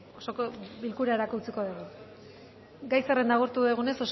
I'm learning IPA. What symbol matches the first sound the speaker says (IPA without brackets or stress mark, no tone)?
o